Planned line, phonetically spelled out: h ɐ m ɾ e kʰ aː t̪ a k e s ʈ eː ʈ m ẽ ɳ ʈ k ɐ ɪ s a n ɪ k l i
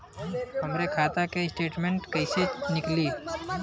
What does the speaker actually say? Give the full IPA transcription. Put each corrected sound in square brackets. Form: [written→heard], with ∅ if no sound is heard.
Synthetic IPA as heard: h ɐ m ɾ e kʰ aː t̪ a k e s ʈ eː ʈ m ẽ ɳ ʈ k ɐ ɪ s [a→e] n ɪ k l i